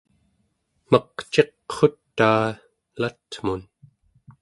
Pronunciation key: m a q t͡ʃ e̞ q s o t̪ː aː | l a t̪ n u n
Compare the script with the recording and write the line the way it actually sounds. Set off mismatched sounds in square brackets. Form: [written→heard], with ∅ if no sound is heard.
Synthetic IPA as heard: m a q t͡ʃ e̞ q [s→χ] o t̪ː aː | l a t̪ [n→m] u n

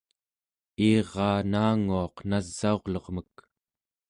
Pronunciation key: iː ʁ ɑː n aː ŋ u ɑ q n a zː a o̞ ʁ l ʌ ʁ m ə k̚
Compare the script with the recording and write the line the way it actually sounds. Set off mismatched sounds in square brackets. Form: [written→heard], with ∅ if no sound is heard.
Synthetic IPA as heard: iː ʁ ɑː n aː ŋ u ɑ q n a zː a o̞ ʁ l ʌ ʁ m ə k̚

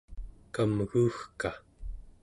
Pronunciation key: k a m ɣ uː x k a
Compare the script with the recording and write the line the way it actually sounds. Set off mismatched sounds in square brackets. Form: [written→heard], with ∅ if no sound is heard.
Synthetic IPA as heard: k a m ɣ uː x k a

